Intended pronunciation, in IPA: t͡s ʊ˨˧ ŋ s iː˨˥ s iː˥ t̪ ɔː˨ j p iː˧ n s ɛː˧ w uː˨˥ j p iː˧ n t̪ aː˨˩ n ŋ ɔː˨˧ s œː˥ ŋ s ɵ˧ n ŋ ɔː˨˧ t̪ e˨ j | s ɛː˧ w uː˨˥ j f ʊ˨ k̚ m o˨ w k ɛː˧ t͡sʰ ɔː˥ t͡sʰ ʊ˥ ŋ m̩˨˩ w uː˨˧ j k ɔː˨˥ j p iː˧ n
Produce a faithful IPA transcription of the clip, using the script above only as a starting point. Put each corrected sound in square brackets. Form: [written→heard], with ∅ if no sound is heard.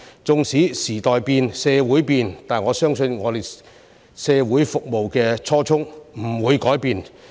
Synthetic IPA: t͡s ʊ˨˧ ŋ s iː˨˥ s [iː˥→iː˨˩] t̪ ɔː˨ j p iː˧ n s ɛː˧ w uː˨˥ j p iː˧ n t̪ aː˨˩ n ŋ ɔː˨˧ s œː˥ ŋ s ɵ˧ n ŋ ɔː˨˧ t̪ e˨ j | s ɛː˧ w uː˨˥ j f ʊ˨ k̚ m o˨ w k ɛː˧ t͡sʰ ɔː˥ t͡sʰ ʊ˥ ŋ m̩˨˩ w uː˨˧ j k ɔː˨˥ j p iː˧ n